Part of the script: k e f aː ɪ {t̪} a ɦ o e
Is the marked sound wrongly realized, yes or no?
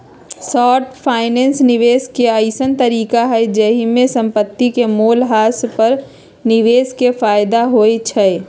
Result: yes